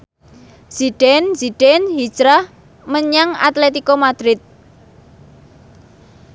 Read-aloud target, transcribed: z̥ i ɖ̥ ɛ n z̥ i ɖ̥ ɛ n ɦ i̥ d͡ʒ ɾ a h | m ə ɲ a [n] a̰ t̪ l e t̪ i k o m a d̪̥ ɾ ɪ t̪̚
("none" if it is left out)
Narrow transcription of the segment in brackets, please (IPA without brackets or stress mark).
ŋ